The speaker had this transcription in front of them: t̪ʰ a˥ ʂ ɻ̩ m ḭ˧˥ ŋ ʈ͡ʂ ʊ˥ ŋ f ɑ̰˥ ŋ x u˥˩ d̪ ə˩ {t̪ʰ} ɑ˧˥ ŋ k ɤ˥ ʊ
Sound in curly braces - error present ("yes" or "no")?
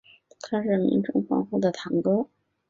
no